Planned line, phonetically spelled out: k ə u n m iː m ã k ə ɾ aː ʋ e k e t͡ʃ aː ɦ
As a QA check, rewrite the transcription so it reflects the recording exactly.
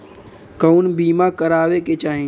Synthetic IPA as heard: k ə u n b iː m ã k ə ɾ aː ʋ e k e t͡ʃ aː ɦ